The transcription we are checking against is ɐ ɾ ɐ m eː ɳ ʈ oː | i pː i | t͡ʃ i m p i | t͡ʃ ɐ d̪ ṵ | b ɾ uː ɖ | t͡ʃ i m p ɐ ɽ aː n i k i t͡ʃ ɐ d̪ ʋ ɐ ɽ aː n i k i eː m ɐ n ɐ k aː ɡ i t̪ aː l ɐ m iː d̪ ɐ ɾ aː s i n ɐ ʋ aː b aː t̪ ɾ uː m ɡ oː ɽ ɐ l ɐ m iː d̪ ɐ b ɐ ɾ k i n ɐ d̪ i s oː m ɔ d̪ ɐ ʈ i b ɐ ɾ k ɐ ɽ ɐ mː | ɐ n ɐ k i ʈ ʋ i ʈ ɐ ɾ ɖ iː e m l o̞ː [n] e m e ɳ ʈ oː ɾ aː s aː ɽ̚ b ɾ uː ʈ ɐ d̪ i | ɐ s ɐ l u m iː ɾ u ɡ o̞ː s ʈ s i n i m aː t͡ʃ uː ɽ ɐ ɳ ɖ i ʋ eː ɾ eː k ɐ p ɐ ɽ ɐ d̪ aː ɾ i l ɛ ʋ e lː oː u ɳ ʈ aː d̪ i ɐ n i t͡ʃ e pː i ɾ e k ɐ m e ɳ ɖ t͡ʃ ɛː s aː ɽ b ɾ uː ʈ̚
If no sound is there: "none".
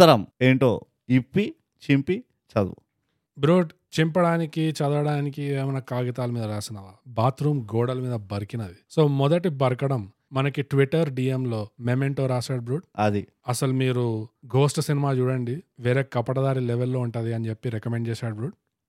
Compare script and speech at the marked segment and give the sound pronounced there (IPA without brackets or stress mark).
m